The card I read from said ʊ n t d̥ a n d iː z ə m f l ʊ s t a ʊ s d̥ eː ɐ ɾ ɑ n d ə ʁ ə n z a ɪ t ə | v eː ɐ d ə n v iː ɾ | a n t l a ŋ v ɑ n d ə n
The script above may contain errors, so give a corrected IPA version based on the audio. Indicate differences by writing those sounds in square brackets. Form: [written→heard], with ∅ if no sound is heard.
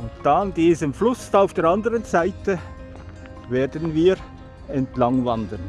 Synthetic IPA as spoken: ʊ n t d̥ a n d iː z ə m f l ʊ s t a ʊ [s→f] d̥ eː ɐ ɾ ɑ n d ə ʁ ə n z a ɪ t ə | v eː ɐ d ə n v iː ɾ | [a→ɛ] n t l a ŋ v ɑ n d ə n